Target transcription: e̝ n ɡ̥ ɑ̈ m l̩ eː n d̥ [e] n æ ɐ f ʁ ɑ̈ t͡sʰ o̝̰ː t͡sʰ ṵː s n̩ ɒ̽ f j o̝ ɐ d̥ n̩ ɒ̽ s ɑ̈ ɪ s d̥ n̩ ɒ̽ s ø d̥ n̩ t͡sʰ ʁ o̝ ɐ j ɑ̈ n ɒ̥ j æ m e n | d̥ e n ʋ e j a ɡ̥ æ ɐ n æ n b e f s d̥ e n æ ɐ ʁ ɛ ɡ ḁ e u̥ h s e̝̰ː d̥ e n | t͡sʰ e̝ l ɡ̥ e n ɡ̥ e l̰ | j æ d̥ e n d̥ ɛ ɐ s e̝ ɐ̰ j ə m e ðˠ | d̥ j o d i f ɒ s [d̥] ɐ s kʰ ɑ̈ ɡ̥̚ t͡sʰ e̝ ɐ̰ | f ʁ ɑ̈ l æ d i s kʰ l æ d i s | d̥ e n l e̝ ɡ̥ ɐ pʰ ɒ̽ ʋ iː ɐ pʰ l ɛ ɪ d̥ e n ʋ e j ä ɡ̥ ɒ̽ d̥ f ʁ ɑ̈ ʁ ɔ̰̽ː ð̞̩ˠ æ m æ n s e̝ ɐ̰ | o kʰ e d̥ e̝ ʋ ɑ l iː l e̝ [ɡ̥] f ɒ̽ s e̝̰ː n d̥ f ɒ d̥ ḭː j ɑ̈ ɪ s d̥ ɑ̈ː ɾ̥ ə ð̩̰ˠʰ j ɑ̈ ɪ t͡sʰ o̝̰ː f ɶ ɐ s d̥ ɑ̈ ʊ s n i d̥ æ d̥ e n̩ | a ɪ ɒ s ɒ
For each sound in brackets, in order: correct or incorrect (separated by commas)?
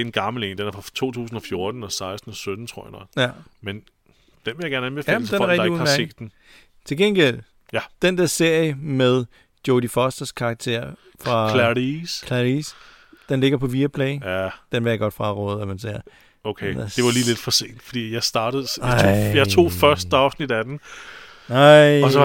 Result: correct, correct, incorrect